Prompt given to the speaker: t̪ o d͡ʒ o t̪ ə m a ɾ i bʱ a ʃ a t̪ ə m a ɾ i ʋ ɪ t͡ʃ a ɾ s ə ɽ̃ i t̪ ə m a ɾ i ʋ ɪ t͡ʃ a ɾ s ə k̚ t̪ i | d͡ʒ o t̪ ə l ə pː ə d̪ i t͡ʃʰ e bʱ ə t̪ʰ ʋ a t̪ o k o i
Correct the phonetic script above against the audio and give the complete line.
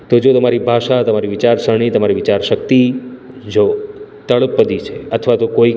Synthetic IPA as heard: t̪ o d͡ʒ o t̪ ə m a ɾ i bʱ a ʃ a t̪ ə m a ɾ i ʋ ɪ t͡ʃ a ɾ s ə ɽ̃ i t̪ ə m a ɾ i ʋ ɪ t͡ʃ a ɾ ʃ ə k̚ t̪ i | d͡ʒ o t̪ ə ɭ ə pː ə d̪ i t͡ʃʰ e ə t̪ʰ ʋ a t̪ o k o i

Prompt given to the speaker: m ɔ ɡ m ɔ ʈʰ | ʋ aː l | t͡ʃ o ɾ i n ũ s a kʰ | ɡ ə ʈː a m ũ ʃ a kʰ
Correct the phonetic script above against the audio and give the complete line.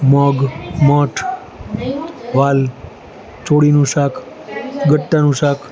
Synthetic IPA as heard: m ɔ ɡ m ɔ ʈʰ | ʋ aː l | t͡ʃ o ɽ i n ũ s a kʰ | ɡ ə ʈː a n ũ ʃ a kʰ

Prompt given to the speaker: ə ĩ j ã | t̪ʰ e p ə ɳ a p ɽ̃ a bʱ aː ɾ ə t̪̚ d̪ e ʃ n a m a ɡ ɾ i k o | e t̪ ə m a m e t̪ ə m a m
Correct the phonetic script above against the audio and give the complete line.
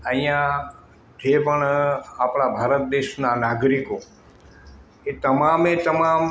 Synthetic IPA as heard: ə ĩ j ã | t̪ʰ e p ə ɳ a p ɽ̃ a bʱ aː ɾ ə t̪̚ d̪ e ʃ n a n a ɡ ɾ i k o | e t̪ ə m a m e t̪ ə m a m

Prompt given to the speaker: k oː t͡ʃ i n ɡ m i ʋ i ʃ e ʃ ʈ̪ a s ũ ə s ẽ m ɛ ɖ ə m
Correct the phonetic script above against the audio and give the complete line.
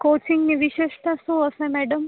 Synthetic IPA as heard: k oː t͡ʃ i ŋ ɡ n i ʋ i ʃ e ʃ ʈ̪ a s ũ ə s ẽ m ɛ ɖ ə m

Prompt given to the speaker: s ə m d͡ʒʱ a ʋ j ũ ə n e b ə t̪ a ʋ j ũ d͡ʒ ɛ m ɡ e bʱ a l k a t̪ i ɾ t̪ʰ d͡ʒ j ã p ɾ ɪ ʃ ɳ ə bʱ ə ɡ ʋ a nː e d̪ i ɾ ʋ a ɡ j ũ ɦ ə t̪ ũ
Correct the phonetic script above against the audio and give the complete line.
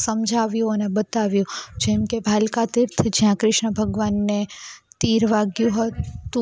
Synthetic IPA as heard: s ə m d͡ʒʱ a ʋ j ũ ə n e b ə t̪ a ʋ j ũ d͡ʒ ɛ m k e bʱ a l k a t̪ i ɾ t̪ʰ d͡ʒ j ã k ɾ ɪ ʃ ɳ ə bʱ ə ɡ ʋ a nː e t̪ i ɾ ʋ a ɡ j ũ ɦ ə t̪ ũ

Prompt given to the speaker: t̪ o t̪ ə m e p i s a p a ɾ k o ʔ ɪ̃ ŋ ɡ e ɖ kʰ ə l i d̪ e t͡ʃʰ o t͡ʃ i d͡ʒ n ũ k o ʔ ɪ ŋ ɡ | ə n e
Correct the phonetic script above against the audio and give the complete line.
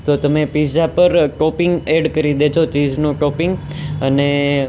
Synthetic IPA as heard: t̪ o t̪ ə m e p i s a p ə ɾ k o p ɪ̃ ŋ ɡ e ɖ k ə ɾ i d̪ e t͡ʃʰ o t͡ʃ i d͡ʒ n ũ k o p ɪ ŋ ɡ | ə n e

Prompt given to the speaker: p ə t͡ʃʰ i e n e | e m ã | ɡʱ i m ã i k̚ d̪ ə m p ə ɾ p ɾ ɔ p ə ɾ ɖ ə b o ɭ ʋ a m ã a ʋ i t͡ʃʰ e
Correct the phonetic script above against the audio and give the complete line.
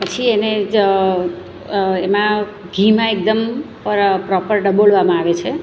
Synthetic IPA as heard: p ə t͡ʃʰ i e n e | e m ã | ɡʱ i m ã e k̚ d̪ ə m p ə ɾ p ɾ ɔ p ə ɾ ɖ ə b o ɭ ʋ a m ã a ʋ e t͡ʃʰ e

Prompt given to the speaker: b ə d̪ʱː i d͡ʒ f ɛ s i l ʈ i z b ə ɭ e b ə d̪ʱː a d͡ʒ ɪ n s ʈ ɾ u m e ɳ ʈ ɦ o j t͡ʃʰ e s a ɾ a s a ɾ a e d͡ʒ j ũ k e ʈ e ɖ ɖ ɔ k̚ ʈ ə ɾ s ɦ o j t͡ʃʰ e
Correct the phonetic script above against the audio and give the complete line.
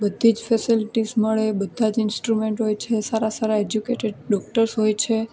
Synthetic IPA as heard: b ə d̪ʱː i d͡ʒ f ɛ s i l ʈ i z m ə ɭ e b ə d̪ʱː a d͡ʒ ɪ n s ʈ ɾ u m e ɳ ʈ ɦ o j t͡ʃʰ e s a ɾ a s a ɾ a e d͡ʒ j u k e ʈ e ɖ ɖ ɔ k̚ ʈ ə ɾ s ɦ o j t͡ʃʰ e

